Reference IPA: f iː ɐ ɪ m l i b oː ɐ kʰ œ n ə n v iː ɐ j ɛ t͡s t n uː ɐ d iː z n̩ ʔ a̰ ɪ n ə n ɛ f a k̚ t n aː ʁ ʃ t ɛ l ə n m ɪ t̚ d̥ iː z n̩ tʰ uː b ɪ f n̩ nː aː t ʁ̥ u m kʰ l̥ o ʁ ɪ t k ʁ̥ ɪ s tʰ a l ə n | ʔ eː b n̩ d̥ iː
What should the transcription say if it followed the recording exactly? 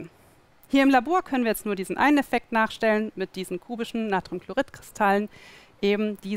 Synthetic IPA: h iː ɐ ɪ m l a b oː ɐ kʰ œ n ə n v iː ɐ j ɛ t͡s t n uː ɐ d iː z n̩ ʔ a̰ ɪ n ə n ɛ f ɛ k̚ t n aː χ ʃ t ɛ l ə n m ɪ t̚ d̥ iː z n̩ kʰ uː b ɪ ʃ n̩ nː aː t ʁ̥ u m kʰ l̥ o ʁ ɪ t k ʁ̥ ɪ s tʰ a l ə n | ʔ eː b m̩ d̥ iː